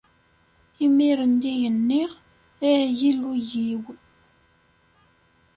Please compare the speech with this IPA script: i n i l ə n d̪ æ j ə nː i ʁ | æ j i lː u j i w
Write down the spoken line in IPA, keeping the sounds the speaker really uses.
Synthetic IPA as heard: i m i ɾ ə n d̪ i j ə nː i ʁ | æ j i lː u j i w